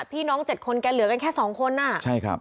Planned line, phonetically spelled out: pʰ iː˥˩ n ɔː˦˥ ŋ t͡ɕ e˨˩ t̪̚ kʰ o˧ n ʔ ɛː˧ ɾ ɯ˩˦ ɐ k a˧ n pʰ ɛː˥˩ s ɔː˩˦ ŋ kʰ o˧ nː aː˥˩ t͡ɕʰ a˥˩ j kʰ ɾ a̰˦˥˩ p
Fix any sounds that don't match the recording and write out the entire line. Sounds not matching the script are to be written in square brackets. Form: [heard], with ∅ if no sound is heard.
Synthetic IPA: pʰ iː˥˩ n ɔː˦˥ ŋ t͡ɕ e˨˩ t̪̚ kʰ o˧ n [k] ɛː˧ [l] ɯ˩˦ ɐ k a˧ n [kʰ] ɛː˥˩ s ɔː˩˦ ŋ kʰ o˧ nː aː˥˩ t͡ɕʰ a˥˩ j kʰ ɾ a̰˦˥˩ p